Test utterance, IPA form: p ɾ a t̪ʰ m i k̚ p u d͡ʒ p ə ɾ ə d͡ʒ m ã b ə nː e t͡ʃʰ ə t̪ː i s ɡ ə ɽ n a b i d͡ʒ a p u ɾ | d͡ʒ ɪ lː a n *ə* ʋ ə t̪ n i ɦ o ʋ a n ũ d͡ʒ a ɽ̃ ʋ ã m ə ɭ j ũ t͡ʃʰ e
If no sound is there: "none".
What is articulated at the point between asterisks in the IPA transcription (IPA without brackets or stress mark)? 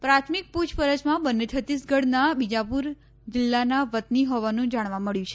a